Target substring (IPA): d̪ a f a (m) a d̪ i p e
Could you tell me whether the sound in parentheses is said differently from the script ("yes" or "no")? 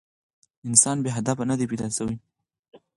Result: yes